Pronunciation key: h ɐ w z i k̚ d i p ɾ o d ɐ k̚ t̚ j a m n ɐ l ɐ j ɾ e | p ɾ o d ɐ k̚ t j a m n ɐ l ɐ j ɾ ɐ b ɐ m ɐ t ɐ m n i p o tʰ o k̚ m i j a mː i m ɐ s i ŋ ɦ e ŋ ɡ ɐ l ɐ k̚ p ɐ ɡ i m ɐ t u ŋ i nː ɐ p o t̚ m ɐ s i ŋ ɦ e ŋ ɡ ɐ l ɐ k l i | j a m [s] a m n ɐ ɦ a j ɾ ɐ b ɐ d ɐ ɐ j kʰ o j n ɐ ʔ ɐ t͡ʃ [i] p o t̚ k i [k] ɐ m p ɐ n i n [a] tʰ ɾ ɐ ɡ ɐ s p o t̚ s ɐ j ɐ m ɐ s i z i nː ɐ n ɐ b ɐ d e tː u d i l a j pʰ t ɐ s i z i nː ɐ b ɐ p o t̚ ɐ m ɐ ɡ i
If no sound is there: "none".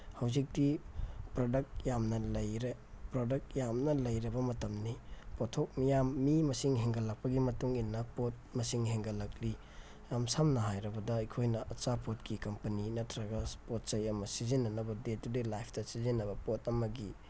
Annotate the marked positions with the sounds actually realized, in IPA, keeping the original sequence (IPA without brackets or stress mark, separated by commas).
s, a, k, ɐ